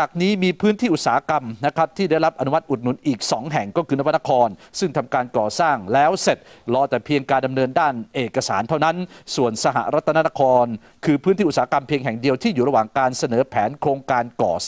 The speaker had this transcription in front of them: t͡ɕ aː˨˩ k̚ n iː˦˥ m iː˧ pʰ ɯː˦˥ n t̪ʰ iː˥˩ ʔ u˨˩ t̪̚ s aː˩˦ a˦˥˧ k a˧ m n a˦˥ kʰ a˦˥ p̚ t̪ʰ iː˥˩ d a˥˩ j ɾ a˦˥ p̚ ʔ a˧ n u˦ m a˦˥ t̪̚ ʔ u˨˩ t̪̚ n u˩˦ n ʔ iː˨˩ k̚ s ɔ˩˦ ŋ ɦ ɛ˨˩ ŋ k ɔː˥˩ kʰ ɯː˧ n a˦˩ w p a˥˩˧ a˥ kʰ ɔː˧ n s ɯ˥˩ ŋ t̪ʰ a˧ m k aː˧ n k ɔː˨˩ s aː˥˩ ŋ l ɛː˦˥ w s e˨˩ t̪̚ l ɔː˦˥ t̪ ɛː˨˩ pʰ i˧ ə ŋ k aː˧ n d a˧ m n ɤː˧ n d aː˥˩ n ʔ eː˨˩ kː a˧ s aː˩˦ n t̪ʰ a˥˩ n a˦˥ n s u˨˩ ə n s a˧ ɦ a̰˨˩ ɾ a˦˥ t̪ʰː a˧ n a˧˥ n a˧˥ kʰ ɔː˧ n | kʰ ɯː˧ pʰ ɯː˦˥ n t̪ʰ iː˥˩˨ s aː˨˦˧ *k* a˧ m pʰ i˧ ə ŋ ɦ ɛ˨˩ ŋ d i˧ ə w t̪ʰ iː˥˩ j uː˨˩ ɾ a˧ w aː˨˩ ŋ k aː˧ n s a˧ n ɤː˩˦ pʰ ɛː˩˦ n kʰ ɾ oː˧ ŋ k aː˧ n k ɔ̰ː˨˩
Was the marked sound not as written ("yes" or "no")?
no